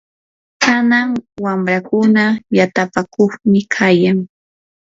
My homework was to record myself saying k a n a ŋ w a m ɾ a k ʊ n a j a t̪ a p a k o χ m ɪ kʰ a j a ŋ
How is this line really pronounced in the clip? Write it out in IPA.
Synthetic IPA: k a n a ŋ w a m ɾ a k ʊ n a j a t̪ a p a k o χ m ɪ kʰ a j a ŋ

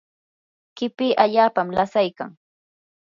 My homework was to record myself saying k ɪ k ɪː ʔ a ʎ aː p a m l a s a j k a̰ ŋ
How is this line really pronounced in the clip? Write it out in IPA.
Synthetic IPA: k ɪ p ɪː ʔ a ʎ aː p a m l a s a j k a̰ ŋ

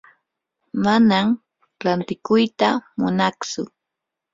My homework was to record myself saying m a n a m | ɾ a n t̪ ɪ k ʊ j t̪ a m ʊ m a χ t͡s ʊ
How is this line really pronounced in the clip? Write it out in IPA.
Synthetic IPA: m a n a m | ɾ a n t̪ ɪ k ʊ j t̪ a m ʊ n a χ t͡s ʊ

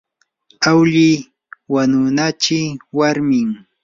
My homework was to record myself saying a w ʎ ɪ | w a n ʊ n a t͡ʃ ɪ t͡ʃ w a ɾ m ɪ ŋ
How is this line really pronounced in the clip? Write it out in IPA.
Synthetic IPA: a w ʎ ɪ | w a n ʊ n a t͡ʃ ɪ w a ɾ m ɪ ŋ

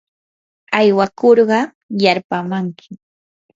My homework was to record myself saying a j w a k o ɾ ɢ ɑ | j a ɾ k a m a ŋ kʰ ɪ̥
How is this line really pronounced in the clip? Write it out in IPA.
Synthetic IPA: a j w a k o ɾ ɢ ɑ | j a ɾ p a m a ŋ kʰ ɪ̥

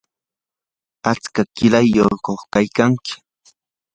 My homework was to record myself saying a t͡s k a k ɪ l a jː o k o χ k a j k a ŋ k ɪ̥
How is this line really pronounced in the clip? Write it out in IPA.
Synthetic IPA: a t͡s k a k ɪ l a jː o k o χ k a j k a ŋ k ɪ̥

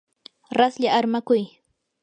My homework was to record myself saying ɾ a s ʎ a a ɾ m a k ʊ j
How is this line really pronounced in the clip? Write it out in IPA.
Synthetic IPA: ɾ a s ʎ a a ɾ m a k ʊ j

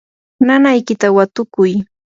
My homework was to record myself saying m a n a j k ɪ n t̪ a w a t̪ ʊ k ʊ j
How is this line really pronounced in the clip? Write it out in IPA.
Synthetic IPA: n a n a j k ɪ t̪ a w a t̪ ʊ k ʊ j

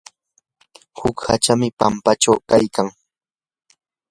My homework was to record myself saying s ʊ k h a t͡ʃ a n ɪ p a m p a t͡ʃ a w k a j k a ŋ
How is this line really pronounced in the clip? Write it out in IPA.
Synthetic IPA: h ʊ k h a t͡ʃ a m ɪ p a m p a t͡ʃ a w k a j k a ŋ

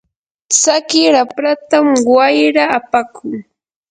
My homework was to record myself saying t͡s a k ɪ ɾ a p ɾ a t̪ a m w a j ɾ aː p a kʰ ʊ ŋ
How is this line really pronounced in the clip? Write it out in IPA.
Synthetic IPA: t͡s a k ɪ ɾ a p ɾ a t̪ a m w a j ɾ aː p a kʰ ʊ ŋ

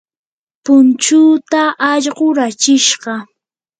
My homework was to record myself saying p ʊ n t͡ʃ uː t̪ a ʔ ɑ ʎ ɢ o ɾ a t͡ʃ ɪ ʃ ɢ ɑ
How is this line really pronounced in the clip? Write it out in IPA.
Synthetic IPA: p ʊ n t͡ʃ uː t̪ a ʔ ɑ ʎ ɢ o ɾ a t͡ʃ ɪ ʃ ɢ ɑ

